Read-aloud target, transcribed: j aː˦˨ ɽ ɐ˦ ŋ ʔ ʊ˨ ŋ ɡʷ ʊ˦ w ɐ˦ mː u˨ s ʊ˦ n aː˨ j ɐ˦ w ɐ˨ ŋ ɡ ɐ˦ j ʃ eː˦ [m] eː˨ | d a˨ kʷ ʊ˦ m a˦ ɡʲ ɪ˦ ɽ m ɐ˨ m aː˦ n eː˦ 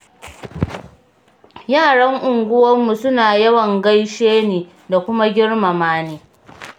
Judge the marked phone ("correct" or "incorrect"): incorrect